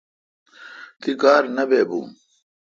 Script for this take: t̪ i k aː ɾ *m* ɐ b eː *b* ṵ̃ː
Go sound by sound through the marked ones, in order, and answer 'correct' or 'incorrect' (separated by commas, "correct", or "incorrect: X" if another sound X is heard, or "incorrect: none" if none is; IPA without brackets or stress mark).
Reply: incorrect: n, correct